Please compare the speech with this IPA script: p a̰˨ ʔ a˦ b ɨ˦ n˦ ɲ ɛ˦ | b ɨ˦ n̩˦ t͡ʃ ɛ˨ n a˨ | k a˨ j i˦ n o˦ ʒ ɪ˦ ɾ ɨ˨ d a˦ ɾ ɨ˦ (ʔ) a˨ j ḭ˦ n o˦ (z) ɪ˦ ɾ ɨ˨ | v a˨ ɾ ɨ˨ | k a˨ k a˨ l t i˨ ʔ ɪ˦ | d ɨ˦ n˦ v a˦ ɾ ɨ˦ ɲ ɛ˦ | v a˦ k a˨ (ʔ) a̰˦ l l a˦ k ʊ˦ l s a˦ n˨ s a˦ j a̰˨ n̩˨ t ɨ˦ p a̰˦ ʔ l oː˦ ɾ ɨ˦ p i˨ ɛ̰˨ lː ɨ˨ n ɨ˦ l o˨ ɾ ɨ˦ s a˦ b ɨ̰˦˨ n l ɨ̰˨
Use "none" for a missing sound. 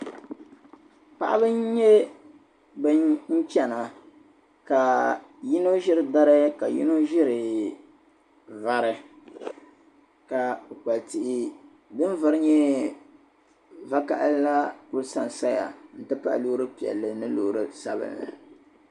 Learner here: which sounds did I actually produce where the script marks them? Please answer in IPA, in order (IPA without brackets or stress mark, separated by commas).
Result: k, ʒ, ʔ